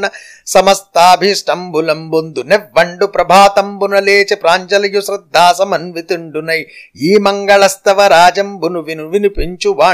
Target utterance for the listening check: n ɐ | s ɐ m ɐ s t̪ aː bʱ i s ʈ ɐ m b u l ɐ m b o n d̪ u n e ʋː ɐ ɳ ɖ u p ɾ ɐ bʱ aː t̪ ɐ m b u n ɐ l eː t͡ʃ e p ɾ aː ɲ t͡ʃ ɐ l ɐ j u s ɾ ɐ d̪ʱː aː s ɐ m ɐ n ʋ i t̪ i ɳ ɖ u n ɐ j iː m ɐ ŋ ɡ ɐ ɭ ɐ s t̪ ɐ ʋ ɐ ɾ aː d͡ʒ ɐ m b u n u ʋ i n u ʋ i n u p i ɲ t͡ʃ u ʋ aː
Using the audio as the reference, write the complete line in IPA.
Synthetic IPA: n ɐ | s ɐ m ɐ s t̪ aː bʱ i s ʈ ɐ m b u l ɐ m b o n d̪ u n e ʋː ɐ ɳ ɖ u p ɾ ɐ bʱ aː t̪ ɐ m b u n ɐ l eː t͡ʃ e p ɾ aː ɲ t͡ʃ ɐ l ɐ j u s ɾ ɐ d̪ʱː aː s ɐ m ɐ n ʋ i t̪ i ɳ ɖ u n ɐ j iː m ɐ ŋ ɡ ɐ ɭ ɐ s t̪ ɐ ʋ ɐ ɾ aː d͡ʒ ɐ m b u n u ʋ i n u ʋ i n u p i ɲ t͡ʃ u ʋ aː